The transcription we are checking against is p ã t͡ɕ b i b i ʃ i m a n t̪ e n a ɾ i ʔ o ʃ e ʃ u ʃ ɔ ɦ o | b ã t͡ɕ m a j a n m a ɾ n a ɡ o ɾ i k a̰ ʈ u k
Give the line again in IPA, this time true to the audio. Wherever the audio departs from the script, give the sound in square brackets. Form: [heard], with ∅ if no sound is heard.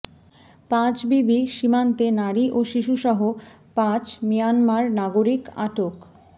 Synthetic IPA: p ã t͡ɕ b i b i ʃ i m a n t̪ e n a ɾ i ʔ o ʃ [i] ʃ u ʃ ɔ ɦ o | [p] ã t͡ɕ m [i] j a n m a ɾ n a ɡ o ɾ i k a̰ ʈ [o] k